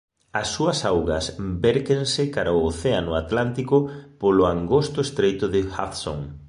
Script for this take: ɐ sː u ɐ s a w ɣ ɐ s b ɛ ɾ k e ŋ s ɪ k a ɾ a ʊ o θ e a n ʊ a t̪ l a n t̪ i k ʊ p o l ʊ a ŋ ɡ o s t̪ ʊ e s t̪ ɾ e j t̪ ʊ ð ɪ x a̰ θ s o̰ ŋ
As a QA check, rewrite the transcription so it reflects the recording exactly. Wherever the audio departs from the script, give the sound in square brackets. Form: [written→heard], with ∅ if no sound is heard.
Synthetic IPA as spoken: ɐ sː u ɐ s a w ɣ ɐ s b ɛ ɾ k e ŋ s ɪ k a ɾ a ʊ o θ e a n ʊ a t̪ l a n t̪ i k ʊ p o l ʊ a ŋ ɡ o s t̪ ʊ e s t̪ ɾ e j t̪ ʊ ð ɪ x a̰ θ s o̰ ŋ